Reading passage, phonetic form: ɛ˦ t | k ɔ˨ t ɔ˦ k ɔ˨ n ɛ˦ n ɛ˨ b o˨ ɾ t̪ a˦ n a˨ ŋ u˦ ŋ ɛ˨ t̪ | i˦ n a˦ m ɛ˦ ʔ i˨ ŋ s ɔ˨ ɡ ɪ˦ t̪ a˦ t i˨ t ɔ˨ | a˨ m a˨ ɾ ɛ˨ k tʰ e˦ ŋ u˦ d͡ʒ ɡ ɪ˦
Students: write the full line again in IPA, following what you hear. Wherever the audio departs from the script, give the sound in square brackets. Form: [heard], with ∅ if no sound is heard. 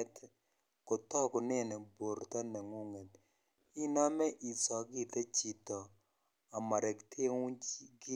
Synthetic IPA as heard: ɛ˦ t | k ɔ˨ t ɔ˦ k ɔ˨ n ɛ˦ n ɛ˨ b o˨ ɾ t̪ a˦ n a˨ ŋ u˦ ŋ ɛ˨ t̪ | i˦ n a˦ m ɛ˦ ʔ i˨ [∅] s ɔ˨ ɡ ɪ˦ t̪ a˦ [t͡ʃ] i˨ t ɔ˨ | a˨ m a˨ ɾ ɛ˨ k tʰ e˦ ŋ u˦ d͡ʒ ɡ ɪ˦